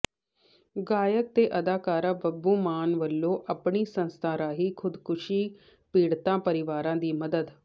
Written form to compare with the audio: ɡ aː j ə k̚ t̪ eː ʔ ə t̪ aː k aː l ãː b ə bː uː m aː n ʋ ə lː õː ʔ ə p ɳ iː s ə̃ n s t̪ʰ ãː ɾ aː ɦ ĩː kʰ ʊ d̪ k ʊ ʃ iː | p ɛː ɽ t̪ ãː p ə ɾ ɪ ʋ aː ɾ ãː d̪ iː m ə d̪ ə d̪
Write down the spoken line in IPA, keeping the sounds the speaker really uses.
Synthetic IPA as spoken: ɡ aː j ə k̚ t̪ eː ʔ ə d̪ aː k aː ɾ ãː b ə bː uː m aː n ʋ ə lː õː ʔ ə p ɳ iː s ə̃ n s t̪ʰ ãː ɾ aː ɦ iː kʰ ʊ d̪ k ʊ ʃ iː | p iː ɽ t̪ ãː p ə ɾ ɪ ʋ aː ɾ ãː d̪ iː m ə d̪ ə d̪